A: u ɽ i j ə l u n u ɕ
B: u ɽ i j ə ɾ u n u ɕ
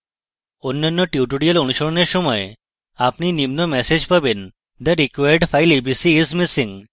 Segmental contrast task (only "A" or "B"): A